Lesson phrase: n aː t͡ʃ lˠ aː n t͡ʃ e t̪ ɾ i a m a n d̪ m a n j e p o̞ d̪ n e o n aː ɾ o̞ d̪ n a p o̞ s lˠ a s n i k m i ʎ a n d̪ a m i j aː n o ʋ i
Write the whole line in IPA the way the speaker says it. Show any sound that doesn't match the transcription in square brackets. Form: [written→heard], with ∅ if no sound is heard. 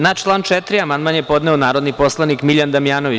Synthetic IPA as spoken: n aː t͡ʃ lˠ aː n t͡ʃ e t̪ ɾ i a m a n d̪ m a n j e p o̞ d̪ n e o n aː ɾ o̞ d̪ n [a→i] p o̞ s lˠ a [s→∅] n i k m i ʎ a n d̪ a m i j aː n o ʋ i